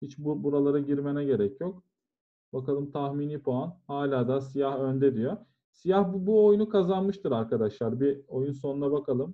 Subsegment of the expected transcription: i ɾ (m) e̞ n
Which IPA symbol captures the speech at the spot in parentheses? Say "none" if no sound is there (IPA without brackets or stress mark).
m